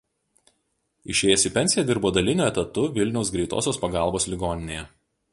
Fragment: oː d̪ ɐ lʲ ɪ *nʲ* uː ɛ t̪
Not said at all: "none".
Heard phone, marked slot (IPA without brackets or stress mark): nʲ